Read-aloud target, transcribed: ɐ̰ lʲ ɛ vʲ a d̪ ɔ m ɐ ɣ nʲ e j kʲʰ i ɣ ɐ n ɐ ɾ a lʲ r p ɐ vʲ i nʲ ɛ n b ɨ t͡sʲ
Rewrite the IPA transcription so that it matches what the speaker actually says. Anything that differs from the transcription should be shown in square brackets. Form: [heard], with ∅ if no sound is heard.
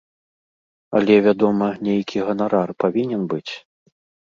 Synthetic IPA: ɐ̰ lʲ ɛ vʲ a d̪ ɔ m ɐ [∅] nʲ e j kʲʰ i ɣ ɐ n [a] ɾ a [∅] r p [a] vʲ i nʲ ɛ n b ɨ t͡sʲ